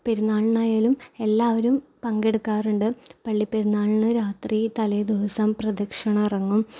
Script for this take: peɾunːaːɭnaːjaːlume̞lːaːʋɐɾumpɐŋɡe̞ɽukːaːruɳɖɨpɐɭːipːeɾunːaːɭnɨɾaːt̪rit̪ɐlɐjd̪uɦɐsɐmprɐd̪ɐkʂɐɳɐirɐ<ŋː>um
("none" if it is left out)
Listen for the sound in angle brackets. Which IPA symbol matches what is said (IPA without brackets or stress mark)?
ŋː